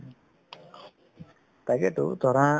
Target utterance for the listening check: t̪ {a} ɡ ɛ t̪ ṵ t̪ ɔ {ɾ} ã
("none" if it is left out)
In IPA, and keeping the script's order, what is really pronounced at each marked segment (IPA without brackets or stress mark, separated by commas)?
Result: a, ɾ